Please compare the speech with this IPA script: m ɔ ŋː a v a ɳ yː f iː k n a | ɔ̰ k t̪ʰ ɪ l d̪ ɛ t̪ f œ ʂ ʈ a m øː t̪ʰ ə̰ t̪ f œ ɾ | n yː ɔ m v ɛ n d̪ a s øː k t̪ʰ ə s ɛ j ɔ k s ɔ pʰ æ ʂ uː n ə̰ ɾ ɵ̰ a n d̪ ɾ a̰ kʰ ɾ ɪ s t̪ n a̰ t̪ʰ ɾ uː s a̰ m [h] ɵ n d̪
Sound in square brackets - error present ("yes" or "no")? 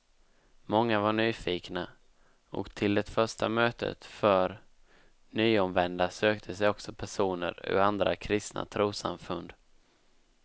yes